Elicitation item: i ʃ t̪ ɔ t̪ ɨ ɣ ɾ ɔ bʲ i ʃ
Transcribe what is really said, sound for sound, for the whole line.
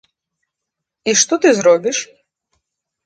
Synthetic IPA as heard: i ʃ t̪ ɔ t̪ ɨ z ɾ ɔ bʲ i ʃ